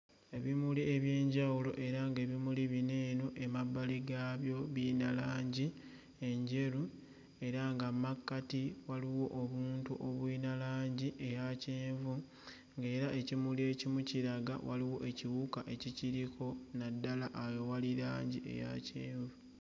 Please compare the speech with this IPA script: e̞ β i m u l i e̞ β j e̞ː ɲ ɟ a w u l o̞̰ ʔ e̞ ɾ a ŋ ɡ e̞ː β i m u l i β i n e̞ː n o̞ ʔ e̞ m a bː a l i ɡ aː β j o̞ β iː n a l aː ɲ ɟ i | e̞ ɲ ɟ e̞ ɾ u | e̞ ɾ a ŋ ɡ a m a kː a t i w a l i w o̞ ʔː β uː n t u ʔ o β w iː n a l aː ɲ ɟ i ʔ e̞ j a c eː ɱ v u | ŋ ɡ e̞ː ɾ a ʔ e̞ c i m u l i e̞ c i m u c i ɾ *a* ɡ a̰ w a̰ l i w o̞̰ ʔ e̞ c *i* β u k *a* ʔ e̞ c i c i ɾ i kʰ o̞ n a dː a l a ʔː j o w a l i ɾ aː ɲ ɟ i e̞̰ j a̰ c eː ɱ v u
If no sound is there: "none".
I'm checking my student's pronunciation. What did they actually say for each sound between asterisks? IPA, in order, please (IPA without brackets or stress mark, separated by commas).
a, i, a